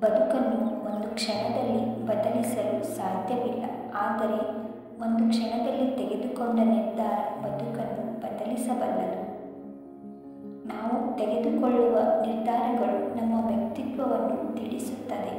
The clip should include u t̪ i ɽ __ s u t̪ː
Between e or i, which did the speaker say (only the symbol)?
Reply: i